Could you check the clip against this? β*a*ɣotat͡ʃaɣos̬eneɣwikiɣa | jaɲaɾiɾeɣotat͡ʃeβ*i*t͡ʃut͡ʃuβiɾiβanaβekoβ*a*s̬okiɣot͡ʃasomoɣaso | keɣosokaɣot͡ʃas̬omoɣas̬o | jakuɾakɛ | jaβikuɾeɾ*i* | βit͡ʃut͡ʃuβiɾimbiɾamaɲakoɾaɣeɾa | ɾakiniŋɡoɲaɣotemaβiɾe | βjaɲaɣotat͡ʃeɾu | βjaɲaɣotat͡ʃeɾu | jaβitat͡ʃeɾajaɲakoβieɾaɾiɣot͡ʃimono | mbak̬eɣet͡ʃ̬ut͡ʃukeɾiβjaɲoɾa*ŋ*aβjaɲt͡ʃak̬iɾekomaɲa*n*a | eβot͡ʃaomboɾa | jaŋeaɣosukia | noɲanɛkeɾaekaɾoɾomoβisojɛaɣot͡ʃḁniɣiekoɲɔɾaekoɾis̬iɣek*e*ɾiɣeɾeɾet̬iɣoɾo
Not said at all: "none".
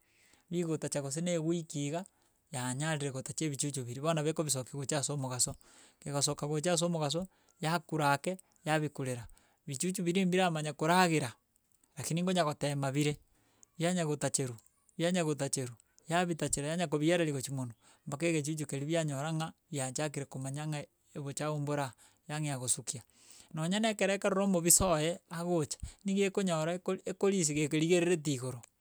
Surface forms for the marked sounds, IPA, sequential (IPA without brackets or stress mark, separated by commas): i, i, i, a, ŋ, ŋ, e